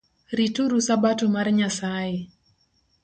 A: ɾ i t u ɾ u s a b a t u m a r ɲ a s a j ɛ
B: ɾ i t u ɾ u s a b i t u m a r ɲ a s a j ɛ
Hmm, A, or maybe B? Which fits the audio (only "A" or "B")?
A